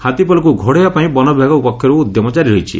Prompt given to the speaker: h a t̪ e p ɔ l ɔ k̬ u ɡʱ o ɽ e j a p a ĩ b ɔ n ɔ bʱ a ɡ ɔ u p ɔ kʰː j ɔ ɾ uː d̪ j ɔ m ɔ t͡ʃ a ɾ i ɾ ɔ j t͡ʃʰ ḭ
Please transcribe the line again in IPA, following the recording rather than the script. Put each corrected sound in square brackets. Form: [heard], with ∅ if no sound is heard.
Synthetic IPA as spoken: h a t̪ [i] p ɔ l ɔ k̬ u ɡʱ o ɽ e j a p a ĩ b ɔ n ɔ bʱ a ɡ ɔ u p ɔ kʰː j ɔ ɾ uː d̪ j ɔ m ɔ t͡ʃ a ɾ i ɾ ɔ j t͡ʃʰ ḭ